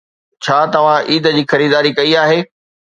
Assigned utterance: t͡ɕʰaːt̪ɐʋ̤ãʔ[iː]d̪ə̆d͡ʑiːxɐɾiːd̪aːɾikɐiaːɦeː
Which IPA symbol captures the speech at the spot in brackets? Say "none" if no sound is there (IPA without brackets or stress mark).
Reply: iː